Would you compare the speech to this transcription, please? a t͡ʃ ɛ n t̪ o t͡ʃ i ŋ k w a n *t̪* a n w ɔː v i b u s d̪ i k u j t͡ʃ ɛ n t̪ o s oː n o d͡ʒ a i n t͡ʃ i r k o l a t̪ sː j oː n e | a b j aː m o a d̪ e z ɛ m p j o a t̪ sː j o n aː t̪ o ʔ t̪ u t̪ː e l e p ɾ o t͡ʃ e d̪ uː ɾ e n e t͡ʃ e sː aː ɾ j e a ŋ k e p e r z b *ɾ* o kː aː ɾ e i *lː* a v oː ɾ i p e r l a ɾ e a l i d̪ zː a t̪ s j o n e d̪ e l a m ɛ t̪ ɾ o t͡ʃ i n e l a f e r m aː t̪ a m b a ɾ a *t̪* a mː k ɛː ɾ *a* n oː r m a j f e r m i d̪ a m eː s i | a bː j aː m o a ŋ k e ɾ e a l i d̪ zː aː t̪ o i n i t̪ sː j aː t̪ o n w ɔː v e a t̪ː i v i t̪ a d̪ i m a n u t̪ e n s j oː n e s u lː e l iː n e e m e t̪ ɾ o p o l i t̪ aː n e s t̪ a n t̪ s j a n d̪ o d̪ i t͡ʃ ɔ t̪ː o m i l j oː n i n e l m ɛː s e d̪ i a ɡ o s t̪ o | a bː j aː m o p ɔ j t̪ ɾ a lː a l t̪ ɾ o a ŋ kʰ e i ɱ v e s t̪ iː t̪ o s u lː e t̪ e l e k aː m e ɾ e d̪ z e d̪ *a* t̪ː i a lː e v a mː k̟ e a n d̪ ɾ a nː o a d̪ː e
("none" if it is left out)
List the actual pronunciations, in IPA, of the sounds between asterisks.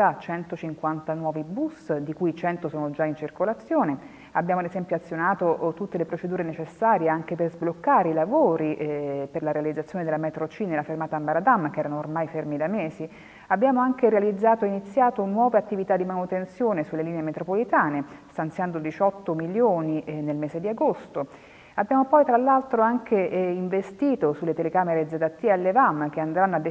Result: t̪, l, l, d̪, a, a

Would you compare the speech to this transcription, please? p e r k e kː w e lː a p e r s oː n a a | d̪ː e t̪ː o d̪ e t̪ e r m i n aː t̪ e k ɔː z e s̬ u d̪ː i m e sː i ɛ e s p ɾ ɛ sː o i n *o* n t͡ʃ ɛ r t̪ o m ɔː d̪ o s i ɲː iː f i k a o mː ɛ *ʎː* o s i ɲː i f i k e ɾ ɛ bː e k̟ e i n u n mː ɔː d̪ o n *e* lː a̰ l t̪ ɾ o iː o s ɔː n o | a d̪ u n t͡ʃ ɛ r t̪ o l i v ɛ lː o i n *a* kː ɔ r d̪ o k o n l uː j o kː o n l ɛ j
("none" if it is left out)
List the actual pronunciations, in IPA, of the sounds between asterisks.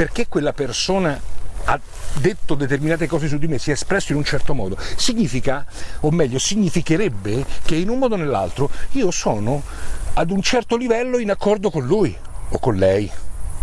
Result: u, ʎː, e, a

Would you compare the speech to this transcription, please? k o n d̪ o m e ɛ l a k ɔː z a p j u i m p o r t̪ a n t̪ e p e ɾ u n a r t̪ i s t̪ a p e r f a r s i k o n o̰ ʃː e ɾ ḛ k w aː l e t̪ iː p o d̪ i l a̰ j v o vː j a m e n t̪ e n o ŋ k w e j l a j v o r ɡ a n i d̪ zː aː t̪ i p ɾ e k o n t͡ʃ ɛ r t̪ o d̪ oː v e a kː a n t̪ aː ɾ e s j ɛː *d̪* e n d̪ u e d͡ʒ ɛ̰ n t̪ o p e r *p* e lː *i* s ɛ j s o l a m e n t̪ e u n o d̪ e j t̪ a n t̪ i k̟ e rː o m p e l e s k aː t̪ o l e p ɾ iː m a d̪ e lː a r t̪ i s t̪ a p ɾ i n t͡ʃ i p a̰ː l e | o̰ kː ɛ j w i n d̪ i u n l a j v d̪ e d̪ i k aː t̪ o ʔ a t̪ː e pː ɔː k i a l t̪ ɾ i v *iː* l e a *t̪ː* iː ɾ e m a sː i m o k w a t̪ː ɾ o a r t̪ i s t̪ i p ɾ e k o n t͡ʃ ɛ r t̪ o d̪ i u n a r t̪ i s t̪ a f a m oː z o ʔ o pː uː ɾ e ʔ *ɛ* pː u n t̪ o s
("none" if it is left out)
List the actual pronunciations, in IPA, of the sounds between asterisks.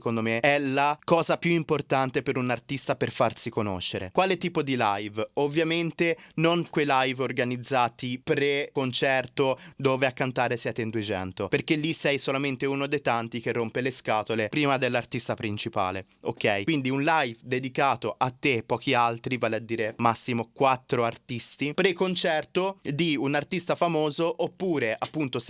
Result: t̪, k, i, aː, d̪ː, a

